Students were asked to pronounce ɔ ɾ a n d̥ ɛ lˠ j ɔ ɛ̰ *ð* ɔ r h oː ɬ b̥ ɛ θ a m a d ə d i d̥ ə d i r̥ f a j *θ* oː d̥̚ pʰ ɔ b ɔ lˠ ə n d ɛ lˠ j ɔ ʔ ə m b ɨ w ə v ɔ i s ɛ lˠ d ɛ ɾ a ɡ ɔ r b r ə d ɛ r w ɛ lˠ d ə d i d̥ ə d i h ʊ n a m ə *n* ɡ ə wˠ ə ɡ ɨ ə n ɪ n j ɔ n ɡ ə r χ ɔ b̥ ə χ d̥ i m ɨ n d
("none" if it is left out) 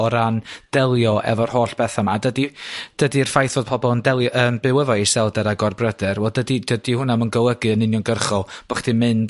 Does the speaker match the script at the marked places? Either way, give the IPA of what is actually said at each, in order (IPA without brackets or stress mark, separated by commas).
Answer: v, θ, n